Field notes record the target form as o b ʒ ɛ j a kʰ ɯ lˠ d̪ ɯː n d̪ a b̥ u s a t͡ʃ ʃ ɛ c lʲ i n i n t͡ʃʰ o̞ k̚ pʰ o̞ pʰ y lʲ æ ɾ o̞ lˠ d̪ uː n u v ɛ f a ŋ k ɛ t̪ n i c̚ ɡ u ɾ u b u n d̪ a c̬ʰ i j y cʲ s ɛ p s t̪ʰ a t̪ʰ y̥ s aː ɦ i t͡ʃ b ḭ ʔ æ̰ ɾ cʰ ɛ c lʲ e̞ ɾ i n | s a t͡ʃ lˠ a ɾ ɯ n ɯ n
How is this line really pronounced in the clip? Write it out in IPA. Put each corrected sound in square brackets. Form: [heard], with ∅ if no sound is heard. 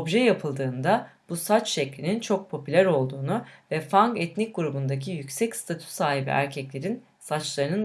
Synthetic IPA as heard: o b ʒ ɛ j a [pʰ] ɯ lˠ d̪ ɯː n d̪ a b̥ u s a t͡ʃ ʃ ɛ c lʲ i n i n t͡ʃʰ o̞ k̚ pʰ o̞ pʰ y lʲ æ ɾ o̞ lˠ d̪ uː n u v ɛ f a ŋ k ɛ t̪ n i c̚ ɡ u ɾ u b u n d̪ a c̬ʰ i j y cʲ s ɛ [c] s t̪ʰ a t̪ʰ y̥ s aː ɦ i [∅] b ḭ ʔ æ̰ ɾ cʰ ɛ c lʲ e̞ ɾ i n | s a t͡ʃ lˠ a ɾ ɯ n ɯ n